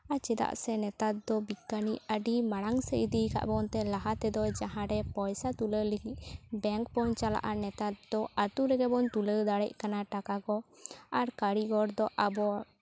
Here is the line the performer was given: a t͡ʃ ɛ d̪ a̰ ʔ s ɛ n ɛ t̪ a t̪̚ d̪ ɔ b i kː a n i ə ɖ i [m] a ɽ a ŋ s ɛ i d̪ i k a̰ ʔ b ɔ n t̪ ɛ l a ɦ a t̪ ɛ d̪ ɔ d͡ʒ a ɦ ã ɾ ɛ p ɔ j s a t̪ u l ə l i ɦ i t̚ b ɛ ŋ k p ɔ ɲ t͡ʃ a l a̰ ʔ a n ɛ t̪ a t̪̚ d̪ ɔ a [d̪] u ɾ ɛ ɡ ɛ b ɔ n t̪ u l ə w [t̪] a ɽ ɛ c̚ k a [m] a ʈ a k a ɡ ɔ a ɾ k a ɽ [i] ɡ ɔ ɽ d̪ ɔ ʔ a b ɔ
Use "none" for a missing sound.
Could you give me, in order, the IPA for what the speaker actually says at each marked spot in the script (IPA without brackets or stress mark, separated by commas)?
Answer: m, t̪, d̪, n, i